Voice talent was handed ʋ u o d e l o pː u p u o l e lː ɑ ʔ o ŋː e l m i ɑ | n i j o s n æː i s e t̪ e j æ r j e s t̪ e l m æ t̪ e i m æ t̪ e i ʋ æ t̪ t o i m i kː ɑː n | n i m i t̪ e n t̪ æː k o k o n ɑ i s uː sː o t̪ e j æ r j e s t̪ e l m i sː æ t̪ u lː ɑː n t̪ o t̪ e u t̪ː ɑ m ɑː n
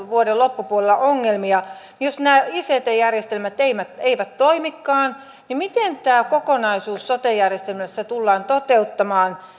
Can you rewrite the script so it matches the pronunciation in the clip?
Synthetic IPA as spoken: ʋ u o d e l o pː u p u o l e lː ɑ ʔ o ŋː e l m i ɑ | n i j o s n æː i s e t̪ e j æ r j e s t̪ e l m æ t̪ e i m æ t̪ e i ʋ æ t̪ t o i m i kː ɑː n | n i m i t̪ e n t̪ æː k o k o n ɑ i s uː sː o t̪ e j æ r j e s t̪ e l m æ sː æ t̪ u lː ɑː n t̪ o t̪ e u t̪ː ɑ m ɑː n